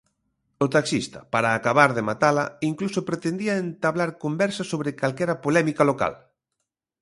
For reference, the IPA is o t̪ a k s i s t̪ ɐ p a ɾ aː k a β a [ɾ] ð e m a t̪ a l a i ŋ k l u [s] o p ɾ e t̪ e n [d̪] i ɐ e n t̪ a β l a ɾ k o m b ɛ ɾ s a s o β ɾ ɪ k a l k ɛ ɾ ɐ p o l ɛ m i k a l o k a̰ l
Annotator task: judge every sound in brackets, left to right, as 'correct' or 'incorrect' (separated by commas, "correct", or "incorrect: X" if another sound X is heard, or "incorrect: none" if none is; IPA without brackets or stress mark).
correct, correct, correct